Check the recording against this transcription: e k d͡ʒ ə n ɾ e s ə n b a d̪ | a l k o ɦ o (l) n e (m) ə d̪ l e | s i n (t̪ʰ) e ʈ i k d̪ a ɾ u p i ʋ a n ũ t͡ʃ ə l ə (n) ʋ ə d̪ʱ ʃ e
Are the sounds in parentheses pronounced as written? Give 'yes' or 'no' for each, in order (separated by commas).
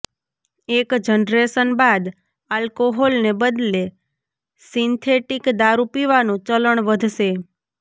yes, no, yes, no